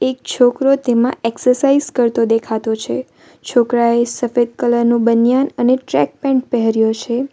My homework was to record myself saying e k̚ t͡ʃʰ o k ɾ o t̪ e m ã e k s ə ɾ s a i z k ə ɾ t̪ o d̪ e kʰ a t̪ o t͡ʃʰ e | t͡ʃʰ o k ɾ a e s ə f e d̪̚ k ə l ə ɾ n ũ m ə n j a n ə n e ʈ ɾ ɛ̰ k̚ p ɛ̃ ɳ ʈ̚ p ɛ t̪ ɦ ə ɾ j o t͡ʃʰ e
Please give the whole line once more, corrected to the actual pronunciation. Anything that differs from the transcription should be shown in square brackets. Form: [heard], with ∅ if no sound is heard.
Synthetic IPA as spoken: e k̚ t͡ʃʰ o k ɾ o t̪ e m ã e k s ə ɾ s a i z k ə ɾ t̪ o d̪ e kʰ a t̪ o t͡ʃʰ e | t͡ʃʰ o k ɾ a e s ə f e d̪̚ k ə l ə ɾ n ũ [b] ə n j a n ə n e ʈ ɾ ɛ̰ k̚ p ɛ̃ ɳ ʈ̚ p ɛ [∅] ɦ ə ɾ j o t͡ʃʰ e